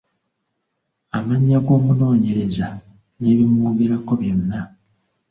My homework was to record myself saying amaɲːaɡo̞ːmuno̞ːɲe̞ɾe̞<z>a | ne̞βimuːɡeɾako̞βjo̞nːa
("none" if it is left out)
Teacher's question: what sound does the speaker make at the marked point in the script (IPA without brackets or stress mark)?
z